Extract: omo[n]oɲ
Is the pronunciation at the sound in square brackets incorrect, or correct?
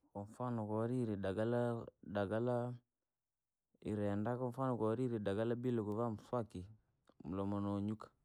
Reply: correct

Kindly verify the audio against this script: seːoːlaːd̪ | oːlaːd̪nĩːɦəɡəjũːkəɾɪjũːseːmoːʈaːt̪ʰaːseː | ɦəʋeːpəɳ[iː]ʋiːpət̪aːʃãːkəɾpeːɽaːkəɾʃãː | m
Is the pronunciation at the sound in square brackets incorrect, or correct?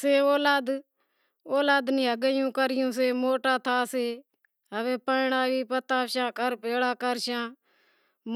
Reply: incorrect: aː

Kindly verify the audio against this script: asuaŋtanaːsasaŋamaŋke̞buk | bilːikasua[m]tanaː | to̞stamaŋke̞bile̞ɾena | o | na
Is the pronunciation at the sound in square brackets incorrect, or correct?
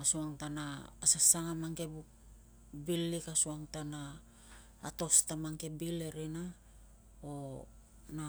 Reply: incorrect: ŋ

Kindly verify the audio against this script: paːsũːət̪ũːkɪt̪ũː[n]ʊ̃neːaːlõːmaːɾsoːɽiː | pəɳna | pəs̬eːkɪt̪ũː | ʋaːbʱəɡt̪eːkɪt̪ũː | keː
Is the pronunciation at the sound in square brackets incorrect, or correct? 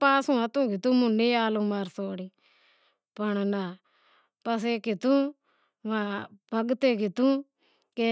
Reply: incorrect: m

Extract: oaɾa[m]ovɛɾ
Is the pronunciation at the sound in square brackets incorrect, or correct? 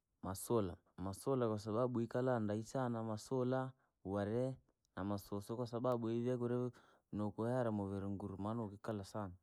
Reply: correct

